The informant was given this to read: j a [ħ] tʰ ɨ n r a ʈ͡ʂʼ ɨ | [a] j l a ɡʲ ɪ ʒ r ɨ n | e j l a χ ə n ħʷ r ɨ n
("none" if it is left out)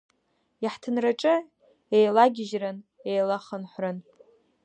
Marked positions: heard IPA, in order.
ħ, e

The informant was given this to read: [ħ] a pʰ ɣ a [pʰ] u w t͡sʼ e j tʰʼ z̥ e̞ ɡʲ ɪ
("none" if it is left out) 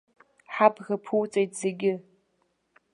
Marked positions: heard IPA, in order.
ħ, pʰ

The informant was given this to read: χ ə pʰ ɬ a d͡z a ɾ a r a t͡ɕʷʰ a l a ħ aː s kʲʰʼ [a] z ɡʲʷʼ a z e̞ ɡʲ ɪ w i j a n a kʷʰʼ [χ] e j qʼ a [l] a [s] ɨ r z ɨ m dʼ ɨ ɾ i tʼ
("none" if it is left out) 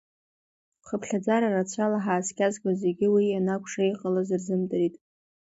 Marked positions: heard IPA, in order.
a, ʂ, l, z

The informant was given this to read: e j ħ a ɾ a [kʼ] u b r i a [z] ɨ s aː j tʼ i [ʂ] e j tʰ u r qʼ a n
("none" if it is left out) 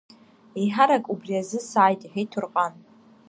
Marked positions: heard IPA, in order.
kʼ, z, ħ

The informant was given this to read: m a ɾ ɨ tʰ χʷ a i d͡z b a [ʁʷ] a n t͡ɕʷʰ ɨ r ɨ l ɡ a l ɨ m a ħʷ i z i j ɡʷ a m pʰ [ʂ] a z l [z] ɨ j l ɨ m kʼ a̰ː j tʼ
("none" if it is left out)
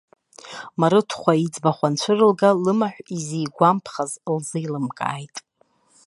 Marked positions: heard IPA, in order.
χʷ, χ, z

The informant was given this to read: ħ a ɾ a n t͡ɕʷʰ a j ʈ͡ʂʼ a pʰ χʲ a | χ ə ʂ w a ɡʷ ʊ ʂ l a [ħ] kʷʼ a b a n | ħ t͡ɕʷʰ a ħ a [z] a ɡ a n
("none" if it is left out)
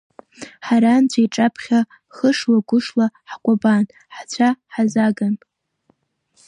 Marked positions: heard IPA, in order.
ħ, z

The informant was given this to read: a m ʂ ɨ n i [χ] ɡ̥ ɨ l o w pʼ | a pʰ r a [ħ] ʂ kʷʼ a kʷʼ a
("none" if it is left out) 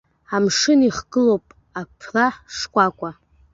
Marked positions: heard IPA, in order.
χ, ħ

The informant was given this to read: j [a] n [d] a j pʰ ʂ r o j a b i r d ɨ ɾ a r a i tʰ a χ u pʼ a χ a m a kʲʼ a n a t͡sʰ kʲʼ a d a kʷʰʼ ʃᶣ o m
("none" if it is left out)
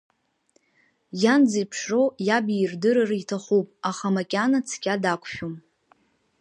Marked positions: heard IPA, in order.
a, d͡z

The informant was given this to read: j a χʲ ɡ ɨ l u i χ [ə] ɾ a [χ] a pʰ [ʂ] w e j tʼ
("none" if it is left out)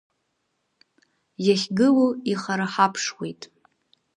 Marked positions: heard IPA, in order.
a, ħ, ʂ

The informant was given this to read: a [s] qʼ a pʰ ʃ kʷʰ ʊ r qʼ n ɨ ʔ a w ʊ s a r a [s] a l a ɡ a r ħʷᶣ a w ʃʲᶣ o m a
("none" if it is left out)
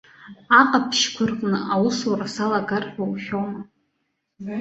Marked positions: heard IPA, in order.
none, s

